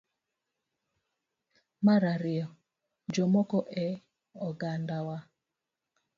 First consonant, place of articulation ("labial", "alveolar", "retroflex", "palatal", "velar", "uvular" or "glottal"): labial